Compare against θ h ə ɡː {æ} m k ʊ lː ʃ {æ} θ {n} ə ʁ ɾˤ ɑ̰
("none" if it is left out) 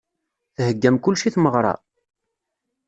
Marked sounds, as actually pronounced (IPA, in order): æ, i, m

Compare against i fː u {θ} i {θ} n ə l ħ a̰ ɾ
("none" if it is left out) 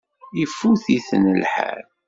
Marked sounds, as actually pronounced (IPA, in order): θ, θ

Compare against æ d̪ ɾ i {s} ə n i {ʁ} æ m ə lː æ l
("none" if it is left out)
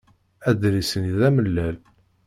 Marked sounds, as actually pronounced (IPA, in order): s, ð

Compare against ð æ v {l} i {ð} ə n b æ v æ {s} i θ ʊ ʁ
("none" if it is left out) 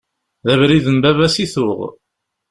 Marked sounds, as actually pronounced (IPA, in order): ɾ, ð, s

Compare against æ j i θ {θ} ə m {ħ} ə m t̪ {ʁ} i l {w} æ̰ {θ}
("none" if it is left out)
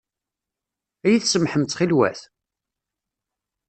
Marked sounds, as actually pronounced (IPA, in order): s, ħ, χ, w, θ

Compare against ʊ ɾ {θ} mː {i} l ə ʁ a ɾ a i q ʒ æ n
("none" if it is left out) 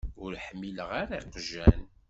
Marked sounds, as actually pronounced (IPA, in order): ħ, i

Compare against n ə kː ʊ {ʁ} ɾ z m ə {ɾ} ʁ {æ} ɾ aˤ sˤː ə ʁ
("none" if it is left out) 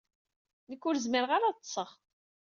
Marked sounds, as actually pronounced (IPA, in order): none, ɾ, a

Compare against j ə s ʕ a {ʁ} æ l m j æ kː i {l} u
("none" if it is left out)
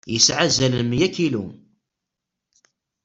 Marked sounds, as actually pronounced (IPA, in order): z, l

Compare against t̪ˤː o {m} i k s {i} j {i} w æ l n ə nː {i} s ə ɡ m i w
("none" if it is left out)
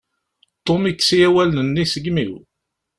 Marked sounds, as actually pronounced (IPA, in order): m, i, æ, i

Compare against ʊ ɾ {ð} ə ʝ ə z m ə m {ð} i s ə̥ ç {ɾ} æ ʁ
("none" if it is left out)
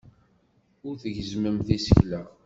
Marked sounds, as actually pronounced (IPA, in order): θ, θ, l

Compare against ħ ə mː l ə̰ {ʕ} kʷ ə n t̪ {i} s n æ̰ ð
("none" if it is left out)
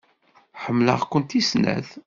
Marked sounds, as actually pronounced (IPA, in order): ʁ, i

